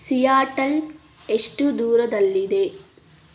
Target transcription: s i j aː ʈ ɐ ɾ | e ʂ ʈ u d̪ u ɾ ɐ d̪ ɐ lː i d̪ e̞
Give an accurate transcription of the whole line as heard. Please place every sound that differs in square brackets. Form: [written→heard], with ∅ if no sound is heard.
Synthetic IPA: s i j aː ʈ ɐ [ɾ→l] | e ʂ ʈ u d̪ [u→uː] ɾ ɐ d̪ ɐ lː i d̪ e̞